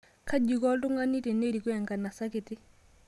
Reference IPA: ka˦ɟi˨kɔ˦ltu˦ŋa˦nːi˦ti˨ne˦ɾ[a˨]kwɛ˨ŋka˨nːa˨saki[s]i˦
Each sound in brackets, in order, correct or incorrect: incorrect, incorrect

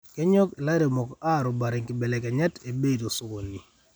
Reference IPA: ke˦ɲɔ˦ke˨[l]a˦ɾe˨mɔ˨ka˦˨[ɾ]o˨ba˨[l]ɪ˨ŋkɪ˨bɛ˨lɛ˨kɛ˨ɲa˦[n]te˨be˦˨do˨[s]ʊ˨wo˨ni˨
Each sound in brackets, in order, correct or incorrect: correct, correct, incorrect, incorrect, correct

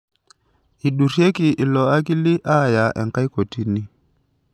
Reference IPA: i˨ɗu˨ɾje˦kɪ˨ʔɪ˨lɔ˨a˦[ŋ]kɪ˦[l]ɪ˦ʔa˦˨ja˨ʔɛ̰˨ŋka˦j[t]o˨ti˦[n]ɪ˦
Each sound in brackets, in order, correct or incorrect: incorrect, correct, incorrect, correct

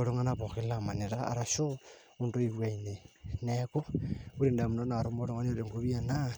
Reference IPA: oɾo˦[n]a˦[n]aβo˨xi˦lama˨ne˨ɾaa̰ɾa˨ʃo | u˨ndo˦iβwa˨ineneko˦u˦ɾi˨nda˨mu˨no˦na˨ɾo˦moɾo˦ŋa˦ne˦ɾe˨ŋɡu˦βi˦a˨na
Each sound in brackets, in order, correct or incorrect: incorrect, correct

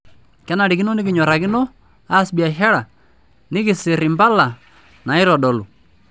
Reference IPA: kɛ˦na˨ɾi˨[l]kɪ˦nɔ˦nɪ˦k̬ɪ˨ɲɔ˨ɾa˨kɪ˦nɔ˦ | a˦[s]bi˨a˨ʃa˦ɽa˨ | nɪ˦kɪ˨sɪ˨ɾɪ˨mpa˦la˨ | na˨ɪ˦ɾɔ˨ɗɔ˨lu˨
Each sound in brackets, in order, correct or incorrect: incorrect, correct

